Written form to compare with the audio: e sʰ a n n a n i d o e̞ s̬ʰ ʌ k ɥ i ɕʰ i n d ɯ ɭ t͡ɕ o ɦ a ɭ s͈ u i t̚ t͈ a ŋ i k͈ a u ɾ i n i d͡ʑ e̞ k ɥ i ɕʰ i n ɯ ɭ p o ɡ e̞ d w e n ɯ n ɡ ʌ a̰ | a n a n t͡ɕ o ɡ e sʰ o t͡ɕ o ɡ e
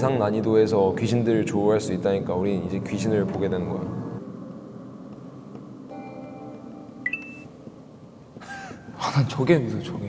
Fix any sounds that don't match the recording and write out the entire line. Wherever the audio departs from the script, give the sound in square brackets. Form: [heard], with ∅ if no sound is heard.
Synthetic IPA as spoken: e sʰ a [ŋ] n a [ɲ] i d o e̞ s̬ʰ ʌ k ɥ i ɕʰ i n d ɯ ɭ t͡ɕ o ɦ a ɭ s͈ u i t̚ t͈ a [ɲ] i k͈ a u ɾ i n i d͡ʑ e̞ k ɥ i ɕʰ i n ɯ ɭ p o ɡ e̞ d w e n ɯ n ɡ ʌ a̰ | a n a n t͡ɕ o ɡ e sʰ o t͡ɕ o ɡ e